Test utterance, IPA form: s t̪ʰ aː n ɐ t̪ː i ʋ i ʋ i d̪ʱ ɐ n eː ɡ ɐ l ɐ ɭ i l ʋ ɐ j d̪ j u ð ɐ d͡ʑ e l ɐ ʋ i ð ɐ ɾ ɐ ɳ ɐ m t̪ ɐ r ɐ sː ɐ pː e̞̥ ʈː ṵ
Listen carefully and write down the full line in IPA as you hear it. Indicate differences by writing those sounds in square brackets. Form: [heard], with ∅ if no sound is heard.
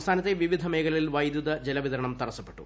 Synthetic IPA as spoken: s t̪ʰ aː n ɐ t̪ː [e] ʋ i ʋ i d̪ʱ ɐ [m] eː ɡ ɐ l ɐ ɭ i l ʋ ɐ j d̪ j u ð ɐ d͡ʑ e l ɐ ʋ i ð ɐ ɾ ɐ ɳ ɐ m t̪ ɐ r ɐ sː ɐ pː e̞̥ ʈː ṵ